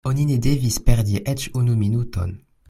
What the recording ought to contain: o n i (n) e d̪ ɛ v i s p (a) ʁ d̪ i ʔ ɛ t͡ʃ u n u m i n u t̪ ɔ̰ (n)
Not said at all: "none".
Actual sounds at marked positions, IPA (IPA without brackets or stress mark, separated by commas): n, ɛ, n